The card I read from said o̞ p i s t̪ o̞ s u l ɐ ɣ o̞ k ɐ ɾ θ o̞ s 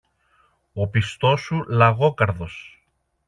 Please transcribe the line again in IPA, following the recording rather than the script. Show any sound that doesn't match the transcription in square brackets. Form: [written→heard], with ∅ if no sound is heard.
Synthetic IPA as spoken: o̞ p i s t̪ o̞ s u l ɐ ɣ o̞ k ɐ ɾ [θ→ð] o̞ s